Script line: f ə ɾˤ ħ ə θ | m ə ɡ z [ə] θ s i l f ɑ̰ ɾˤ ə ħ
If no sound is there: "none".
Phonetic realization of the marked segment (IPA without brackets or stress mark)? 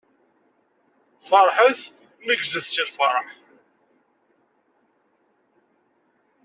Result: ə